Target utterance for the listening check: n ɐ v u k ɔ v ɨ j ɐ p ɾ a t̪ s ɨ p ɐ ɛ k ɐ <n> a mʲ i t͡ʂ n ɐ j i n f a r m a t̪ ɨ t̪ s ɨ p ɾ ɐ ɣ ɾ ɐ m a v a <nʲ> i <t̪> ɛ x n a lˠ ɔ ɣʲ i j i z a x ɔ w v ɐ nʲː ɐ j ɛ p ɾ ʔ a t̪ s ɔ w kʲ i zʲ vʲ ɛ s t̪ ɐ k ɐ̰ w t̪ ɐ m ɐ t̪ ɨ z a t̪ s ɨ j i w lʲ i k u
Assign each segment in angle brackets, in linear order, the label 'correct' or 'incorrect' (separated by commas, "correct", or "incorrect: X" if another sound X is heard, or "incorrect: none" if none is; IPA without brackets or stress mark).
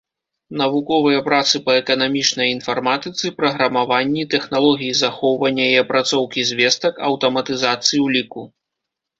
correct, incorrect: nʲː, correct